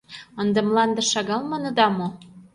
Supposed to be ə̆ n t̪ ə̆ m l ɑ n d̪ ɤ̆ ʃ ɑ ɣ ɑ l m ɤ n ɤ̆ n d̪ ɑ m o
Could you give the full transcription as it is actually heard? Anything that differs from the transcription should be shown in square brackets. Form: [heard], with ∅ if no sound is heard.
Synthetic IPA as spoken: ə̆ n [d̪] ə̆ m l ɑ n d̪ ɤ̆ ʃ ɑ ɣ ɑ l m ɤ n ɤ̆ [∅] d̪ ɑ m o